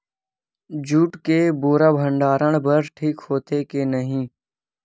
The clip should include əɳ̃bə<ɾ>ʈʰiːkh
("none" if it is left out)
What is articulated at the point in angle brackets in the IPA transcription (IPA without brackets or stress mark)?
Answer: ɾ